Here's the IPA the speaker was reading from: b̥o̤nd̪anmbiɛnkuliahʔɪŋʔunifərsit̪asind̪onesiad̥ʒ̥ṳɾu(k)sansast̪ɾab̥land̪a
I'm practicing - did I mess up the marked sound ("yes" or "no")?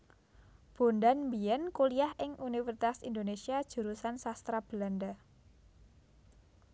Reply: yes